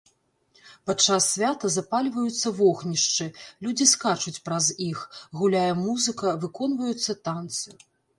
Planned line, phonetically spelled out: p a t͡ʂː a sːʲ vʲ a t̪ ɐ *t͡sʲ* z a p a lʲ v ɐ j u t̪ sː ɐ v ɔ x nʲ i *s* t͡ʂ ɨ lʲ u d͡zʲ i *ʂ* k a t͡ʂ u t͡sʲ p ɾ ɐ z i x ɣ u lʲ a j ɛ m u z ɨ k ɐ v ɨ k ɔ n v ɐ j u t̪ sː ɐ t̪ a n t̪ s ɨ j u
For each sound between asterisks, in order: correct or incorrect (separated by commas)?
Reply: incorrect, incorrect, incorrect